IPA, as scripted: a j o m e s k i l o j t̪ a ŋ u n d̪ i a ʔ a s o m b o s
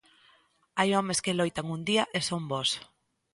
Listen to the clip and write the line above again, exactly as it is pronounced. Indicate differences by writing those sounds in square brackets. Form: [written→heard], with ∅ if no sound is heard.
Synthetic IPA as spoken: a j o m e s k [i→e] l o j t̪ a ŋ u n d̪ i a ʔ [a→e] s o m b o s